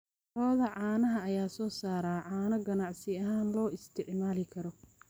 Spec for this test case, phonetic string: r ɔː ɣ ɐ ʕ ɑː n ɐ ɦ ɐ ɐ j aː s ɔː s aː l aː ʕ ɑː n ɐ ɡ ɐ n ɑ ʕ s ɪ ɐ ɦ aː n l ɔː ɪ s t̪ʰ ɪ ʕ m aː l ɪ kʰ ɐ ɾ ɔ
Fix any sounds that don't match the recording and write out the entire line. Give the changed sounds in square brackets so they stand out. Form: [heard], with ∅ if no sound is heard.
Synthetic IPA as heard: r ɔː [ð] ɐ ʕ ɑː n ɐ ɦ ɐ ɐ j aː s ɔː s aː [ɾ] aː ʕ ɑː n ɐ ɡ ɐ n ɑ ʕ s ɪ ɐ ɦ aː n l ɔː ɪ s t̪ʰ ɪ ʕ m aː l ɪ kʰ ɐ ɾ ɔ